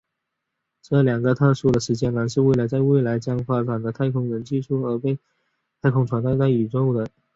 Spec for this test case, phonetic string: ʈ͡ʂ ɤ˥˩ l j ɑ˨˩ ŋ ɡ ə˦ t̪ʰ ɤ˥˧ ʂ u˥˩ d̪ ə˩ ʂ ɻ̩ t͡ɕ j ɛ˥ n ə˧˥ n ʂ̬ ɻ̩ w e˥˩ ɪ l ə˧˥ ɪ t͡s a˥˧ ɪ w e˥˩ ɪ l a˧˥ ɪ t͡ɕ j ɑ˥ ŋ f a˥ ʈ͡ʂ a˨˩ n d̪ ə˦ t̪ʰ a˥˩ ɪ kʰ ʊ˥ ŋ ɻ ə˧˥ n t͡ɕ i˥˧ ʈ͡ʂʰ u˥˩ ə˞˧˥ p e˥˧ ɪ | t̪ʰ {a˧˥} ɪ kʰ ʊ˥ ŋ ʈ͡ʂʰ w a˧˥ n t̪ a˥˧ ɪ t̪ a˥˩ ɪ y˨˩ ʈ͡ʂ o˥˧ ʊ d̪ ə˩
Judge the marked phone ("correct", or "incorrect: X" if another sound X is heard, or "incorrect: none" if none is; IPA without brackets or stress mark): incorrect: a˥